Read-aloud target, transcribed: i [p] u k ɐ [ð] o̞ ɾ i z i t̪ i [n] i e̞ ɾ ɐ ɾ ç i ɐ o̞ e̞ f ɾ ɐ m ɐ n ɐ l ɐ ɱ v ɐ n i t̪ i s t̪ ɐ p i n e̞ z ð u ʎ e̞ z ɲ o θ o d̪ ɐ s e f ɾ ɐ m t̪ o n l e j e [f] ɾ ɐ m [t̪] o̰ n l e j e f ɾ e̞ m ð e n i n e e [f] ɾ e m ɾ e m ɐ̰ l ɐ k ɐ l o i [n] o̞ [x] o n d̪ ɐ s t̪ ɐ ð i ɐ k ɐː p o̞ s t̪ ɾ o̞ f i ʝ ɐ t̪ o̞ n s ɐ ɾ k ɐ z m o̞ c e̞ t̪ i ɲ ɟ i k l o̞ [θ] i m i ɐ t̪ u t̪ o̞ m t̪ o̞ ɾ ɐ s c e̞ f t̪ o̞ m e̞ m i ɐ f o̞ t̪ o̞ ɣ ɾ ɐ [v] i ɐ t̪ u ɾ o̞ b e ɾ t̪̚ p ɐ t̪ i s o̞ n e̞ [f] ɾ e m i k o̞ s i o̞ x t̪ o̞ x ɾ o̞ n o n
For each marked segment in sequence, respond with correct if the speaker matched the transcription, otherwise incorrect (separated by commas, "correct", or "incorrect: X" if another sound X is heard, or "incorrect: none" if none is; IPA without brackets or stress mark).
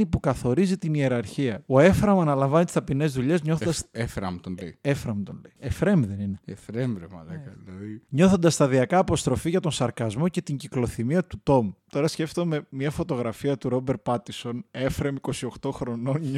correct, incorrect: θ, correct, correct, correct, correct, incorrect: ɲ, incorrect: θ, correct, incorrect: f, correct